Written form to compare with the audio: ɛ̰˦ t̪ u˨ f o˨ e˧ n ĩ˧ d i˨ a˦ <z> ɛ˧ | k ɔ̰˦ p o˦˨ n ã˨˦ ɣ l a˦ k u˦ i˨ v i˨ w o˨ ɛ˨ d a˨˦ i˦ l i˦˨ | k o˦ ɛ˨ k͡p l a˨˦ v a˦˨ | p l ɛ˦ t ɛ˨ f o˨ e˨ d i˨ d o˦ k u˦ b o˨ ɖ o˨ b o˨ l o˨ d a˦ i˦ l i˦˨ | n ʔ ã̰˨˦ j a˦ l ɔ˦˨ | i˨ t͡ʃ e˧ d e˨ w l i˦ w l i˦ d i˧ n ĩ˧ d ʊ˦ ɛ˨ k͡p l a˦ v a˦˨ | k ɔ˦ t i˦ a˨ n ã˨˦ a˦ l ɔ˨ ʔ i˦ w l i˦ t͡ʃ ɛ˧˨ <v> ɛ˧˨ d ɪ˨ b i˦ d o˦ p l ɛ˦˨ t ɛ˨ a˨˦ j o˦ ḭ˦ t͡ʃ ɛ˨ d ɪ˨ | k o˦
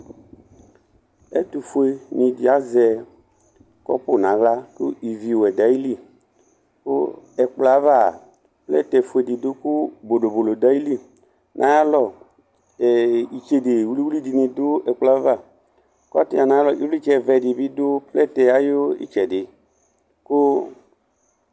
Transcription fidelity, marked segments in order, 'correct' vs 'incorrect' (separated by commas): correct, correct